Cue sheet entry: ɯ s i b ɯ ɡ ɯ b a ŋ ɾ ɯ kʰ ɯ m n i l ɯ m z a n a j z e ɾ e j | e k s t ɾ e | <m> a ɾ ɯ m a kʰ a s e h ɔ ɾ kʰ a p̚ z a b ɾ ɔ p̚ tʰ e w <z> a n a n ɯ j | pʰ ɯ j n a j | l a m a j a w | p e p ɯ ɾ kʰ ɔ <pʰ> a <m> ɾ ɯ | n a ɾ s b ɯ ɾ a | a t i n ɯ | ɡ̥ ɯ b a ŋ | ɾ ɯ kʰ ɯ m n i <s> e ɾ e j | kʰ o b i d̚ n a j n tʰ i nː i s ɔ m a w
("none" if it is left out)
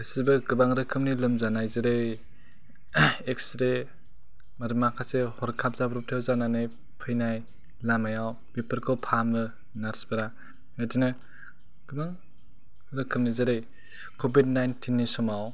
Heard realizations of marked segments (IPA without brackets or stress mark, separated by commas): m, z, pʰ, m, z